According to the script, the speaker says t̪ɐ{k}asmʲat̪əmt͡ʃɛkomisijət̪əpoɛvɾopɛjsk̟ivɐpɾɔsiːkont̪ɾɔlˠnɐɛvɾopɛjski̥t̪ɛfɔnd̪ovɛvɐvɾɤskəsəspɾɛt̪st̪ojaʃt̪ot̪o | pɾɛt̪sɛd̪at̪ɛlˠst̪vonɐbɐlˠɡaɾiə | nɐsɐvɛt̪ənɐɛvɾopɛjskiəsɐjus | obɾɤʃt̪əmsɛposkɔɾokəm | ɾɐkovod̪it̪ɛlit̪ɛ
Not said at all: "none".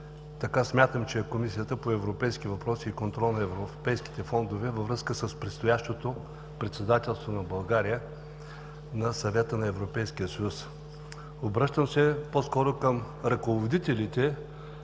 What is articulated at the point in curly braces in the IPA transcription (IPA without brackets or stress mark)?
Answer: k